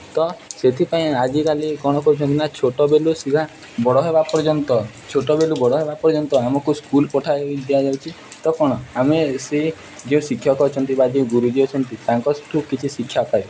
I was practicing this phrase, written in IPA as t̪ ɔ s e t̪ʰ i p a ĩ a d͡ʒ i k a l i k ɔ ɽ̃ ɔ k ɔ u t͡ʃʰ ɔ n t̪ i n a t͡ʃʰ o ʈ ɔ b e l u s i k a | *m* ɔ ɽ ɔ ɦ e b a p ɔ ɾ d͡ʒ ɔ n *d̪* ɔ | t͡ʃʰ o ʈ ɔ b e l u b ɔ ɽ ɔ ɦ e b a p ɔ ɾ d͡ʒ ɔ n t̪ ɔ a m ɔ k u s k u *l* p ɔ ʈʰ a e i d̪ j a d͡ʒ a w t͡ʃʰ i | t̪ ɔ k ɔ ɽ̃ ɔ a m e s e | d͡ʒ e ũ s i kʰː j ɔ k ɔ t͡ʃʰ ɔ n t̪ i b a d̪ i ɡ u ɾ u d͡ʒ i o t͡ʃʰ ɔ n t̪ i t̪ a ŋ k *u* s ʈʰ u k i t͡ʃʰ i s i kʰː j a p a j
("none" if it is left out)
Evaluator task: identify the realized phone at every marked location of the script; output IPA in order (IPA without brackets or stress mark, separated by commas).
b, t̪, l, ɔ